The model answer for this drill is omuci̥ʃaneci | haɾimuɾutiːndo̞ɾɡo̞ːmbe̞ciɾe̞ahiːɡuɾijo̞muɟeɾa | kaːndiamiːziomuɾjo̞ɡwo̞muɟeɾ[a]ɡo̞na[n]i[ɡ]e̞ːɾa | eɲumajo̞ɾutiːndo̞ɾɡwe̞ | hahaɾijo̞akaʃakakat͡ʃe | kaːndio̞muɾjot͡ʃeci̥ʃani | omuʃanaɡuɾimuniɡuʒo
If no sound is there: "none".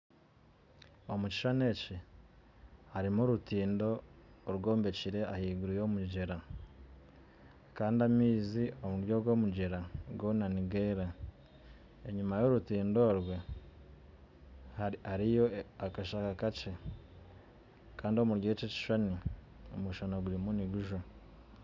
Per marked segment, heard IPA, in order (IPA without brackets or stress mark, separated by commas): a, n, ɡ